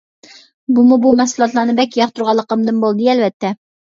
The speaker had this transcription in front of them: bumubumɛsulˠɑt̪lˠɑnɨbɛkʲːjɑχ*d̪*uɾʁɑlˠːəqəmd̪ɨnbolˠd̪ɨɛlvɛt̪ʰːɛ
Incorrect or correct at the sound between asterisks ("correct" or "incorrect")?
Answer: incorrect